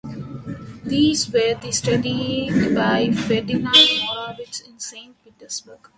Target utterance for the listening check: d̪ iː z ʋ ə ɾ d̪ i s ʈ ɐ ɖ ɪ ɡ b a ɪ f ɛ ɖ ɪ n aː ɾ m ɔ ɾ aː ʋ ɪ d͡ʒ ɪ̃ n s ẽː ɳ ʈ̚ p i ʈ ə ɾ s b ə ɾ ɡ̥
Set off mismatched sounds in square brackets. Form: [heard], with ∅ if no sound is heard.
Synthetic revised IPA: d̪ iː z ʋ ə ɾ d̪ i s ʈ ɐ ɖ [i] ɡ b a ɪ f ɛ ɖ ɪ n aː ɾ m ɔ ɾ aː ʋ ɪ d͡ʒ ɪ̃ n s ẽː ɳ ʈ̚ p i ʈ ə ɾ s b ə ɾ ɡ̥